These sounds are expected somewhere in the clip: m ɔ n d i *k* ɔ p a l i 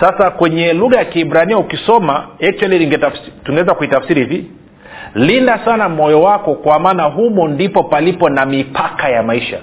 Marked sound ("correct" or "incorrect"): incorrect